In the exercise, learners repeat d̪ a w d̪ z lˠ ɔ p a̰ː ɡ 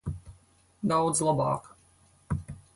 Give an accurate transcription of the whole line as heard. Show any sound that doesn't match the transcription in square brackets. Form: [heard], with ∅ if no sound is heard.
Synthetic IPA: d̪ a w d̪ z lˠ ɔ [b] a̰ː [k]